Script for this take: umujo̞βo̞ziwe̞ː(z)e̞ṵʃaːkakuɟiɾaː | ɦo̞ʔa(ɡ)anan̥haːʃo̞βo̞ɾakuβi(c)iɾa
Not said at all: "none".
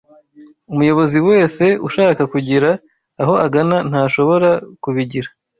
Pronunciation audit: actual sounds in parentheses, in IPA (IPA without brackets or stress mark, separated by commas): s, ɡ, ɟ